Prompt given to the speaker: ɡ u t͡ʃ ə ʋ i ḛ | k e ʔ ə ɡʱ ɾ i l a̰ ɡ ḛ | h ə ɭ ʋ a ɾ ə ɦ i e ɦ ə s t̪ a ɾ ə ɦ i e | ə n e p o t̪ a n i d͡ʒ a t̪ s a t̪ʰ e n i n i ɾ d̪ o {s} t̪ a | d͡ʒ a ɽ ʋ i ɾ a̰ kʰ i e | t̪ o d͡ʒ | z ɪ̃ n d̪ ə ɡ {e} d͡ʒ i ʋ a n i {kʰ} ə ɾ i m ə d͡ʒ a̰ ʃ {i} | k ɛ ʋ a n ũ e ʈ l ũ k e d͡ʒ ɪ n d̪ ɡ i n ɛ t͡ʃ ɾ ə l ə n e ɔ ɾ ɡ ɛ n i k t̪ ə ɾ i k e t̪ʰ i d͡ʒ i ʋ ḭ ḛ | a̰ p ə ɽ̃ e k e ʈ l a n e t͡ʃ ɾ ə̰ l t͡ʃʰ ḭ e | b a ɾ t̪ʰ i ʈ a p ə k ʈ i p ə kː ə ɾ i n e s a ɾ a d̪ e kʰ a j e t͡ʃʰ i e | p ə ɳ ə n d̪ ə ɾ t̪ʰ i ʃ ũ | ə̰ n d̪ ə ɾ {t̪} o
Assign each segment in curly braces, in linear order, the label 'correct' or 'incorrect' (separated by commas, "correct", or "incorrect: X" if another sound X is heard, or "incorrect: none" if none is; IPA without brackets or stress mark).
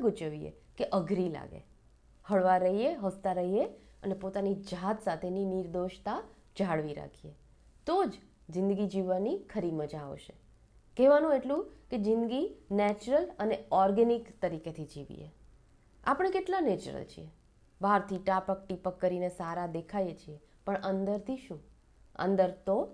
incorrect: ʃ, incorrect: i, correct, incorrect: e, correct